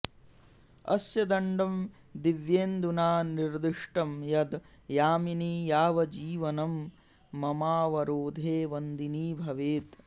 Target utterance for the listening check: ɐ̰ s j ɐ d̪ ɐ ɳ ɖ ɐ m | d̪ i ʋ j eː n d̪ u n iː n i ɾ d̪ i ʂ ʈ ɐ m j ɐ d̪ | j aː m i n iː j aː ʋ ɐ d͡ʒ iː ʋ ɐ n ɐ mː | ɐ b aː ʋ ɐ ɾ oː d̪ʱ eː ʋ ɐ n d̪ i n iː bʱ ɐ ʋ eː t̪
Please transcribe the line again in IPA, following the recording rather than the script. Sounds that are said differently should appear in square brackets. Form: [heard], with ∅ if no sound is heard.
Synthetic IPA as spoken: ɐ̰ s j ɐ d̪ ɐ ɳ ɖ ɐ m | d̪ i ʋ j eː n d̪ u n [aː] n i ɾ d̪ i ʂ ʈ ɐ m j ɐ d̪ | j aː m i n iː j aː ʋ ɐ d͡ʒ iː ʋ ɐ n ɐ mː | ɐ [m] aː ʋ ɐ ɾ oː d̪ʱ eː ʋ ɐ n d̪ i n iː bʱ ɐ ʋ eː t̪

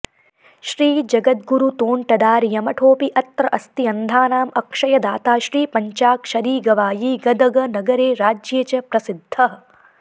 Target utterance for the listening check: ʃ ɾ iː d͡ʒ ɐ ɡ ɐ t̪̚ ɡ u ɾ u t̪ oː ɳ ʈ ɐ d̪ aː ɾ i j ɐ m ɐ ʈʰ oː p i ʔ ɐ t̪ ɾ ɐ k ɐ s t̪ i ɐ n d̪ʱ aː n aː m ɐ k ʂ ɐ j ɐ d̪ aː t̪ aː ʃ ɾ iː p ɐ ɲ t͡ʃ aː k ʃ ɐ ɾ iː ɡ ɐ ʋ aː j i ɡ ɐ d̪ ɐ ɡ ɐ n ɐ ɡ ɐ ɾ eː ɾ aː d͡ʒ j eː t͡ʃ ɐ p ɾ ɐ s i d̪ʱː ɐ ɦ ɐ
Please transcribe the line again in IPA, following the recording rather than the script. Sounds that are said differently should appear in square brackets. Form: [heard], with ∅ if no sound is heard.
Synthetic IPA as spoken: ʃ ɾ iː d͡ʒ ɐ ɡ ɐ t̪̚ ɡ u ɾ u t̪ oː ɳ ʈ ɐ d̪ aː ɾ i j ɐ m ɐ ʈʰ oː p i ʔ ɐ t̪ ɾ ɐ [ʔ] ɐ s t̪ i ɐ n d̪ʱ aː n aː m ɐ k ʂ ɐ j ɐ d̪ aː t̪ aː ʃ ɾ iː p ɐ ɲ t͡ʃ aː k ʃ ɐ ɾ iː ɡ ɐ ʋ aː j i ɡ ɐ d̪ ɐ ɡ ɐ n ɐ ɡ ɐ ɾ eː ɾ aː d͡ʒ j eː t͡ʃ ɐ p ɾ ɐ s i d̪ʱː ɐ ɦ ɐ

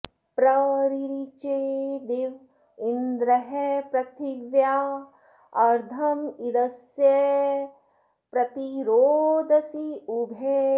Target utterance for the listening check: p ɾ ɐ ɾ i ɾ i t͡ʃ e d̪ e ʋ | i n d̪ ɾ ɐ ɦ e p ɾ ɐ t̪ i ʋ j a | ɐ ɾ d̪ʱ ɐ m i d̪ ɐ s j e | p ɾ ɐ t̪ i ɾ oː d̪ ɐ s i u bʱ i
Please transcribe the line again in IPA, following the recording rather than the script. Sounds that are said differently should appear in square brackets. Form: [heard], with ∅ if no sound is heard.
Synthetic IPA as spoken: p ɾ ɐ ɾ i ɾ i t͡ʃ e d̪ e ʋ | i n d̪ ɾ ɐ ɦ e p ɾ ɐ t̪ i ʋ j a | ɐ ɾ d̪ʱ ɐ m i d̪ ɐ s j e | p ɾ ɐ t̪ i ɾ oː d̪ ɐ s i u bʱ [e]

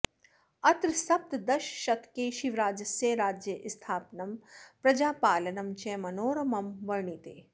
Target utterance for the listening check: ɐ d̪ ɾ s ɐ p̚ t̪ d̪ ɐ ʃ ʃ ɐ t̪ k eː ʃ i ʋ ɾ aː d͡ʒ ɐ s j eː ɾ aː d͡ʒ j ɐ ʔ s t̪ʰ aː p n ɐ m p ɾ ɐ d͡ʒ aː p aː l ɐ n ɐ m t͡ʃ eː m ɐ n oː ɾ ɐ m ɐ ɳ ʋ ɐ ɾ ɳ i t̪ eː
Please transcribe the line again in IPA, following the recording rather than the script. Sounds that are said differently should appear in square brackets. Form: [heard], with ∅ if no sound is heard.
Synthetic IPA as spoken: ɐ [t̪] ɾ s ɐ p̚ t̪ d̪ ɐ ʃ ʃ ɐ t̪ k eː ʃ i ʋ ɾ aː d͡ʒ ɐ s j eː ɾ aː d͡ʒ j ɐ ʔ s t̪ʰ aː p n ɐ m p ɾ ɐ d͡ʒ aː p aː l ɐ n ɐ m t͡ʃ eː m ɐ n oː ɾ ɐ m ɐ [m] ʋ ɐ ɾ ɳ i t̪ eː

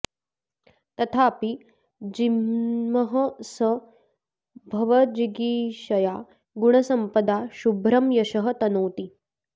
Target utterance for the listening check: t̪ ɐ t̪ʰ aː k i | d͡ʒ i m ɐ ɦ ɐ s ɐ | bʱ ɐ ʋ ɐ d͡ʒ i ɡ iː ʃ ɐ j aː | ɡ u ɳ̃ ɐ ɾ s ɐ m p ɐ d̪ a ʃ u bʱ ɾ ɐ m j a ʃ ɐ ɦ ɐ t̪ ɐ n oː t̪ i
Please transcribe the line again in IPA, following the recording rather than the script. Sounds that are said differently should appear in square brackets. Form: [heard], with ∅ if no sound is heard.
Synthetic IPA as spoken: t̪ ɐ t̪ʰ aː [p] i | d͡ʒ i m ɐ ɦ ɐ s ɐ | bʱ ɐ ʋ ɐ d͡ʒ i ɡ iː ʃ ɐ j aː | ɡ u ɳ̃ ɐ [∅] s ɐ m p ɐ d̪ a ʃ u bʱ ɾ ɐ m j [ɐ] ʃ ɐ ɦ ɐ t̪ ɐ n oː t̪ i

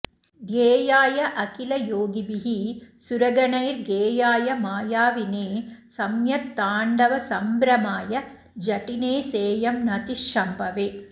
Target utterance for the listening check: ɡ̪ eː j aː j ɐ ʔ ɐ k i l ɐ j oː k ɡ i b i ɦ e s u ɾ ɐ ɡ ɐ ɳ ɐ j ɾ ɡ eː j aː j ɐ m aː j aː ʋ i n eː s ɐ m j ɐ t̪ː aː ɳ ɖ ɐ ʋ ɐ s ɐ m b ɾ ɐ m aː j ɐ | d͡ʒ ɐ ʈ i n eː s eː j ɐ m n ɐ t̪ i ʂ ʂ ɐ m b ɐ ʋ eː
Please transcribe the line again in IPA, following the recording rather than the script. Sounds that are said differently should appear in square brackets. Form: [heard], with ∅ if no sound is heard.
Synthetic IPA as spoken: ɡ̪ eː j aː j ɐ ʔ ɐ k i l ɐ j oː [∅] ɡ i b i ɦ [i] s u ɾ ɐ ɡ ɐ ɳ ɐ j ɾ ɡ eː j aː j ɐ m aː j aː ʋ i n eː s ɐ m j ɐ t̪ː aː ɳ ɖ ɐ ʋ ɐ s ɐ m b ɾ ɐ m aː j ɐ | d͡ʒ ɐ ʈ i n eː s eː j ɐ m n ɐ t̪ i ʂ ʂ ɐ m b ɐ ʋ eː

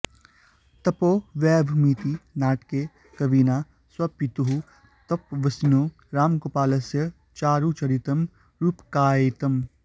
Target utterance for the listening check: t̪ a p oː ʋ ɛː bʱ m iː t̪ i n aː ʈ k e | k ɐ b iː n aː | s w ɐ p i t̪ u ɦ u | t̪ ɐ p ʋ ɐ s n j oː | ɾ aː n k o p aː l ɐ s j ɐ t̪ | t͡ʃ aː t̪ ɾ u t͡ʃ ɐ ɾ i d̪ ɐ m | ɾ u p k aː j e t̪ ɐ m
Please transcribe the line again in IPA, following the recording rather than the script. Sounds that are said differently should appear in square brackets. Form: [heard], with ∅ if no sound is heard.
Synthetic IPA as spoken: t̪ [ɐ] p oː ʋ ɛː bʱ m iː t̪ i n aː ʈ k e | k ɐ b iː n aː | s w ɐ p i t̪ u ɦ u | t̪ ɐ p ʋ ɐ s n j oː | ɾ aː [m] k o p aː l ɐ s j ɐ [∅] | t͡ʃ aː [∅] ɾ u t͡ʃ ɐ ɾ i [t̪] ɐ m | ɾ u p k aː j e t̪ ɐ m

